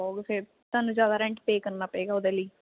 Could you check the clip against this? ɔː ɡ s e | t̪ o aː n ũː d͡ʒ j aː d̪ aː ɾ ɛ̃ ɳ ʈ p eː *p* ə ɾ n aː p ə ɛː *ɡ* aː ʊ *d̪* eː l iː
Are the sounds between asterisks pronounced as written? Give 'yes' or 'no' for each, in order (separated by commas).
no, yes, yes